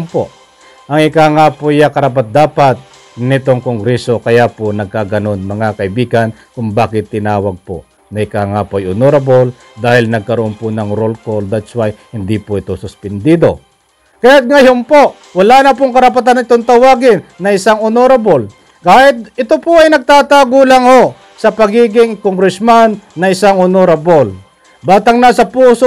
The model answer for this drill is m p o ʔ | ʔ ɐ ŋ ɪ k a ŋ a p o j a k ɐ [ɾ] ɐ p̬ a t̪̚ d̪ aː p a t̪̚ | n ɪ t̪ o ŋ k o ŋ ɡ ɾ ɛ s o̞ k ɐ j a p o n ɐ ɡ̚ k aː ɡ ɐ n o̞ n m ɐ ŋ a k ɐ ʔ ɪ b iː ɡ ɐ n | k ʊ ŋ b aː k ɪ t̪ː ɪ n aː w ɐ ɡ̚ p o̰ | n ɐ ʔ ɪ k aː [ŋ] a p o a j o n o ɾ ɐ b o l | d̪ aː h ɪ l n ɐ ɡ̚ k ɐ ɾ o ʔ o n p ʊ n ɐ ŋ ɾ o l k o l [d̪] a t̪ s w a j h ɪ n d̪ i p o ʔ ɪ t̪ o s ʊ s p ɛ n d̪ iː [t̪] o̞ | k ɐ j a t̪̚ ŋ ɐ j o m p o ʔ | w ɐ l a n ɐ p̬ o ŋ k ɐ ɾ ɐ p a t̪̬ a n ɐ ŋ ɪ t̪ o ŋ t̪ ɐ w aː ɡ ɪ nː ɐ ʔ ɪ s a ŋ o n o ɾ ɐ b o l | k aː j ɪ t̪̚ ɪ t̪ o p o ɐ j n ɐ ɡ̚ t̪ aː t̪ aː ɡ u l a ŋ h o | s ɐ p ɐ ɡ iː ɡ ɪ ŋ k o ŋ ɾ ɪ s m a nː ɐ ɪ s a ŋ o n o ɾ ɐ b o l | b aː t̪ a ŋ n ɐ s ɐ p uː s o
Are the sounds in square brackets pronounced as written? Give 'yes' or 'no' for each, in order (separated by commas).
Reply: yes, yes, yes, no